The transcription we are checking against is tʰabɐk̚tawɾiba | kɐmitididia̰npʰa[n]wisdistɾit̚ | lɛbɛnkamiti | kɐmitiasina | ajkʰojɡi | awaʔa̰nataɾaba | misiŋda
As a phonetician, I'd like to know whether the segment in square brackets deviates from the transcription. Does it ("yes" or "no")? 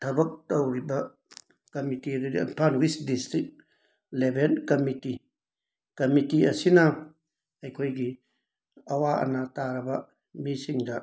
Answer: no